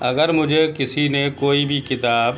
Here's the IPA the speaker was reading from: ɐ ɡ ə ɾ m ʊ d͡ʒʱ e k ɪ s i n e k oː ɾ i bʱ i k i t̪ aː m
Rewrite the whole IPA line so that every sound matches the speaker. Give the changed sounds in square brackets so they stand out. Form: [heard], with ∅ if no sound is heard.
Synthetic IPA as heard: ɐ ɡ ə ɾ m ʊ d͡ʒʱ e k ɪ s i n e k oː [∅] i bʱ i k [ɪ] t̪ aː [b]

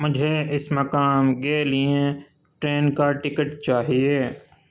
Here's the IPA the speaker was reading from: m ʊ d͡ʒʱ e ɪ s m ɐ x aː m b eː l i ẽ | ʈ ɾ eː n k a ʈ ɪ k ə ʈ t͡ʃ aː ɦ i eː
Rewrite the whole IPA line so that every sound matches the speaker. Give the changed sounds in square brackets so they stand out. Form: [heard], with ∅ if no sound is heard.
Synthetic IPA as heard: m ʊ d͡ʒʱ e ɪ s m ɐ [k] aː m [ɡ] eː l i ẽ | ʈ ɾ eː n k a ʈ ɪ k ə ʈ t͡ʃ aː ɦ i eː

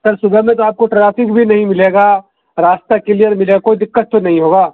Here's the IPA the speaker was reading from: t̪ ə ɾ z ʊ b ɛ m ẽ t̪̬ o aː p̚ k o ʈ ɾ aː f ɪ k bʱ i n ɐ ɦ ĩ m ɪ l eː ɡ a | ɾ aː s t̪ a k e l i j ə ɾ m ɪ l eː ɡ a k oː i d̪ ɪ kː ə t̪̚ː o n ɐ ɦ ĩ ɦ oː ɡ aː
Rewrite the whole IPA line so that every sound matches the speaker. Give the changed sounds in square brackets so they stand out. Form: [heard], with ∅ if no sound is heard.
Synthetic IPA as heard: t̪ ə ɾ [s] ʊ b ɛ m ẽ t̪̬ o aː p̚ k o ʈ ɾ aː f ɪ k bʱ i n ɐ ɦ ĩ m ɪ l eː ɡ a | ɾ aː s t̪ a k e l i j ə ɾ m ɪ l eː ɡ a k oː i d̪ ɪ kː ə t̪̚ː o n ɐ ɦ ĩ ɦ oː ɡ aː

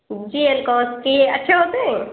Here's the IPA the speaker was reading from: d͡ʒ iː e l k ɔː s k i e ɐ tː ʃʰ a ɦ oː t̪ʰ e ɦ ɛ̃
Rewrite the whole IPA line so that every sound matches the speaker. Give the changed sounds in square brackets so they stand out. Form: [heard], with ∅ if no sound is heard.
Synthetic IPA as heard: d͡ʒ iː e l k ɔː s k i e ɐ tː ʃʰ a ɦ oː [t̪] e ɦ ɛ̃

